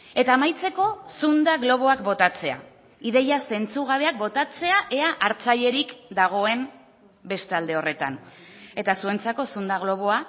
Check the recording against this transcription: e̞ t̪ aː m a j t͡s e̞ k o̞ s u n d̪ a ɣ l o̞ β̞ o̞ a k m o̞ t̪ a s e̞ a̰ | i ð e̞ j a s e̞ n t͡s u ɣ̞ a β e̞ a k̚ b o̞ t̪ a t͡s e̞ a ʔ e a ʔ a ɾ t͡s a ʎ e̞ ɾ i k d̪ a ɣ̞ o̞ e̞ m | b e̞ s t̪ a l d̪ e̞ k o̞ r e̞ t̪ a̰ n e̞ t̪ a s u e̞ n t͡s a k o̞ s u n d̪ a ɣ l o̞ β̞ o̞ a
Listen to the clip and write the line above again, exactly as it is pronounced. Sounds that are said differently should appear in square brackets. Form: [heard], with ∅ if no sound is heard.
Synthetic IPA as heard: e̞ t̪ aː m a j t͡s e̞ k o̞ s u n d̪ a ɣ l o̞ β̞ o̞ a k [b] o̞ t̪ a [t͡s] e̞ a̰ | i ð e̞ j a s e̞ n t͡s u ɣ̞ a β e̞ a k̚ b o̞ t̪ a t͡s e̞ a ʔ e a ʔ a ɾ t͡s a ʎ e̞ ɾ i k d̪ a ɣ̞ o̞ e̞ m | b e̞ s t̪ a l d̪ e̞ [∅] o̞ r e̞ t̪ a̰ n e̞ t̪ a s u e̞ n t͡s a k o̞ s u n d̪ a ɣ l o̞ β̞ o̞ a